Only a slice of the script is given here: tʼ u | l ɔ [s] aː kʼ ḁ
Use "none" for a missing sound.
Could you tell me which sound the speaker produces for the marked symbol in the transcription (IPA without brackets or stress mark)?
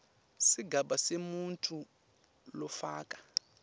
f